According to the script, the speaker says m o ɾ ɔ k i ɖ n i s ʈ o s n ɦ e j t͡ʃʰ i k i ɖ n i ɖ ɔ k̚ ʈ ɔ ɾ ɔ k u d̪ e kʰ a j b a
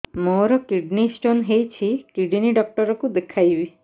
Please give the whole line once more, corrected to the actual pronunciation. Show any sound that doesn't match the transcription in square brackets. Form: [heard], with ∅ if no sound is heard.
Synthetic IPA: m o ɾ ɔ k i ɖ n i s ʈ o [∅] n ɦ e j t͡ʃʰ i k i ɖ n i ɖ ɔ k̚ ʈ ɔ ɾ ɔ k u d̪ e kʰ a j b [i]